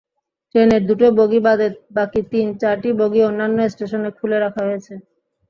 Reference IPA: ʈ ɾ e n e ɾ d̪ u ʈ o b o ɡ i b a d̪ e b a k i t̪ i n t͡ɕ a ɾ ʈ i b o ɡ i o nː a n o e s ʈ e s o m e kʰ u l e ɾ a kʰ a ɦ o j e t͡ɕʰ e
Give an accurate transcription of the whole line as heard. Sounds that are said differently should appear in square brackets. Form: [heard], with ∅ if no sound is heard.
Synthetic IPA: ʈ ɾ e n e ɾ d̪ u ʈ o b o ɡ i b a d̪ e b a k i t̪ i n t͡ɕ a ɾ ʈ i b o ɡ i o nː a [nː] o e s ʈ e [ʃ] o [n] e kʰ u l e ɾ a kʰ a ɦ o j e t͡ɕʰ e